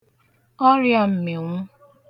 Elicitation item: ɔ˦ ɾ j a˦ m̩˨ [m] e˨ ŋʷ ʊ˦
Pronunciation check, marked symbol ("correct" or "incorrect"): correct